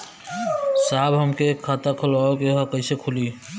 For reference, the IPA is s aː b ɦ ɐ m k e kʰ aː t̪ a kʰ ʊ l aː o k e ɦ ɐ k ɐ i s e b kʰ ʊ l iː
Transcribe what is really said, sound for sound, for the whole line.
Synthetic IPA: s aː b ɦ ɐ m k e kʰ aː t̪ a kʰ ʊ l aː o k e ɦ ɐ k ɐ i s e kʰ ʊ l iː